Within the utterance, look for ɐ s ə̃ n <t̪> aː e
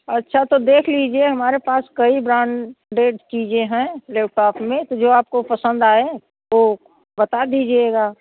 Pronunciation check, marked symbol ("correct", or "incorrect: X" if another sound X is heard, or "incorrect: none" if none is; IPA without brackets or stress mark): incorrect: d̪